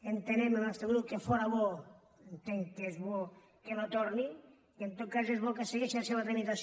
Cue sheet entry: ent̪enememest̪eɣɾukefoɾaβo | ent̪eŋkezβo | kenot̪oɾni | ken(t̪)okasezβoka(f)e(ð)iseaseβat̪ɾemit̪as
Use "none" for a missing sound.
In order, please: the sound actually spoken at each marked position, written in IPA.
t̪, s, ɣ

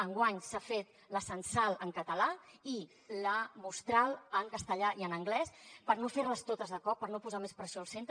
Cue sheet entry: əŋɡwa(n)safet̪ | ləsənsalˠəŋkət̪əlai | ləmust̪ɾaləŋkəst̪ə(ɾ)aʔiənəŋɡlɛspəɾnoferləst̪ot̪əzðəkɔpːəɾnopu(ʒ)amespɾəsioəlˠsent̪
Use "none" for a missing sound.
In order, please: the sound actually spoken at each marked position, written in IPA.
ɲ, ʎ, z

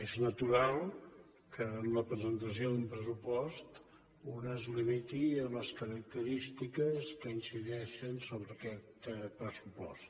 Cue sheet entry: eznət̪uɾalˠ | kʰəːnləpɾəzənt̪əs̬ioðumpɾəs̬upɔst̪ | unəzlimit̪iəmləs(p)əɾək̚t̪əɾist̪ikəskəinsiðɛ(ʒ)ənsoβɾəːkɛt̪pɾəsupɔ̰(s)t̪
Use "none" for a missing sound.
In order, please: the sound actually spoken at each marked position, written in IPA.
k, ʃ, s

